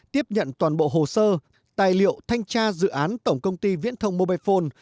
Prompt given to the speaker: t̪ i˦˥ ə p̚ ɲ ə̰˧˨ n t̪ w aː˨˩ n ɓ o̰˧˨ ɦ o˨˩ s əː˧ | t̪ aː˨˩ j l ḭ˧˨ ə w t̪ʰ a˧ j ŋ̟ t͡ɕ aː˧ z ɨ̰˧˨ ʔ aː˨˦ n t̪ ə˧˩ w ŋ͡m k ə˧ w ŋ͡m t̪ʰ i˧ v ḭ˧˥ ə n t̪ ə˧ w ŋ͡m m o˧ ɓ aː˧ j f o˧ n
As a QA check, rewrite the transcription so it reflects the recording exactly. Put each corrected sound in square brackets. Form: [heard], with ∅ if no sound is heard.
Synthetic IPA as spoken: t̪ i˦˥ ə p̚ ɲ ə̰˧˨ n t̪ w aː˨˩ n ɓ o̰˧˨ ɦ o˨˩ s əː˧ | t̪ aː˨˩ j l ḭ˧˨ ə w t̪ʰ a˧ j ŋ̟ t͡ɕ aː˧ z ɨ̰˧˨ ʔ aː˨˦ n t̪ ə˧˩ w ŋ͡m k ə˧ w ŋ͡m [t̪] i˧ v ḭ˧˥ ə n [t̪ʰ] ə˧ w ŋ͡m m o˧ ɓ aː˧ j f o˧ n